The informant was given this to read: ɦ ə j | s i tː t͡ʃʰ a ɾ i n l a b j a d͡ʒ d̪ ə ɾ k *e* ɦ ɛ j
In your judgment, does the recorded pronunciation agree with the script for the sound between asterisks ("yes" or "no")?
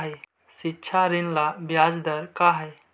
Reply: no